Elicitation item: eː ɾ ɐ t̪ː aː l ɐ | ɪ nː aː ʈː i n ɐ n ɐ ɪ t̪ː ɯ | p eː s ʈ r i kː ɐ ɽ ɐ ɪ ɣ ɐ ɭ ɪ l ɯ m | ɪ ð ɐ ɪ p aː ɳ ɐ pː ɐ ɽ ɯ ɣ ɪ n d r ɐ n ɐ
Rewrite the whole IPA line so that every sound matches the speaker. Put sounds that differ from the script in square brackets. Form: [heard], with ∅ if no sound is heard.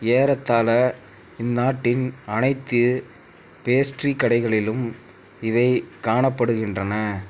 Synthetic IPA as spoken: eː ɾ ɐ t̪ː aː l ɐ | ɪ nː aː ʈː [ɪ] n ɐ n ɐ ɪ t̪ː ɯ | p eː s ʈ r i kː ɐ ɽ ɐ ɪ ɣ ɐ ɭ ɪ l ɯ m | ɪ ð ɐ ɪ [k] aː ɳ ɐ pː ɐ ɽ ɯ ɣ ɪ n d r ɐ n ɐ